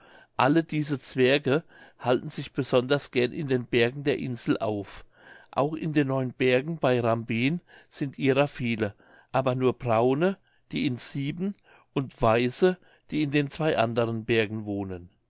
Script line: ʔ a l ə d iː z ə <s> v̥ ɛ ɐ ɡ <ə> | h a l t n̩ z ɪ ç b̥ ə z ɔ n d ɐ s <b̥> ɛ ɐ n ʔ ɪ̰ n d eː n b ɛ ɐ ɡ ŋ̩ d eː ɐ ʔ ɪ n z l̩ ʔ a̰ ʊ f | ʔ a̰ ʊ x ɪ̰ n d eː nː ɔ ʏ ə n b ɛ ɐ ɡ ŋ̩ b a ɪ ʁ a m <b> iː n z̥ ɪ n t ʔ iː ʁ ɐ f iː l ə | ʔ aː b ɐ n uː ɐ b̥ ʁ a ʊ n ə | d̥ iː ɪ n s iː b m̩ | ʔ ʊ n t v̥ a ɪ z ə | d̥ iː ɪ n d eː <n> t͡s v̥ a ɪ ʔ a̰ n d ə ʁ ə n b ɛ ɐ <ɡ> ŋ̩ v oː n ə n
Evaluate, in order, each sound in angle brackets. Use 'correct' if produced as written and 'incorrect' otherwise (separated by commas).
incorrect, correct, incorrect, correct, correct, correct